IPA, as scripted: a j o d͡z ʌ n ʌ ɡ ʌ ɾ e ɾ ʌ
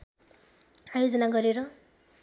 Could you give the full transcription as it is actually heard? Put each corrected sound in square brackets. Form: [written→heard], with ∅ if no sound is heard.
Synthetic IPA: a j o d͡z ʌ n [ʌ→a] ɡ ʌ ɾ e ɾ ʌ

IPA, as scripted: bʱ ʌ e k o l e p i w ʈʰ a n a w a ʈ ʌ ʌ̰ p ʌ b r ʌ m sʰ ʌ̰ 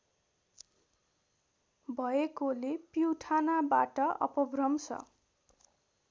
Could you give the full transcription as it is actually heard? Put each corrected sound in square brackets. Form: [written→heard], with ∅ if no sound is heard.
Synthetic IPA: bʱ ʌ e k o l e p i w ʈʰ a n a [w→b] a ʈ ʌ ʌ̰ p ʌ b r ʌ m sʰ ʌ̰

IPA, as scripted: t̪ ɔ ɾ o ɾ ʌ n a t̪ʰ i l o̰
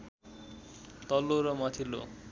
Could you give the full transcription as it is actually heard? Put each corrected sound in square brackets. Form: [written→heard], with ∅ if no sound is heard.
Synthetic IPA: t̪ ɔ [ɾ→l] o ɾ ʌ [n→m] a t̪ʰ i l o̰

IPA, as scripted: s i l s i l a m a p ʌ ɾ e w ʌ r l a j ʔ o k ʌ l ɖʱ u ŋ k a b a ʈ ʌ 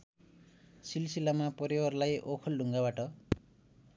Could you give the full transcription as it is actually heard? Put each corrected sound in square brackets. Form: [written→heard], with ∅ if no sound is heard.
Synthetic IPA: s i l s i l a m a p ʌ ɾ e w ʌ r l a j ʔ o [k→kʰ] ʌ l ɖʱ u ŋ [k→ɡ] a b a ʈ ʌ

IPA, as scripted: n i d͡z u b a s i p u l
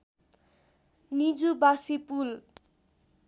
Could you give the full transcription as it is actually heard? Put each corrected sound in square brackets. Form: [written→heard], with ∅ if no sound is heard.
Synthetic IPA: n i d͡z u b a s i p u l

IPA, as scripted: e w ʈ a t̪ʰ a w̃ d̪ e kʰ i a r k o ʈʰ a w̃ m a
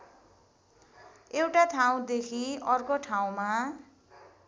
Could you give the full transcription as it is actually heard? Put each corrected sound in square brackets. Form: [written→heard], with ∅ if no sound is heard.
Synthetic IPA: e w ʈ a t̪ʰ a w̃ d̪ e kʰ i [a→ʌ] r k o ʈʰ a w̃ m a

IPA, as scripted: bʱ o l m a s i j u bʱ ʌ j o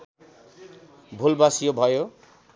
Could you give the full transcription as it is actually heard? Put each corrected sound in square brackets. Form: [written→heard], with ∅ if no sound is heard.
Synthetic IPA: bʱ [o→u] l [m→b] a s i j [u→o] bʱ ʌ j o

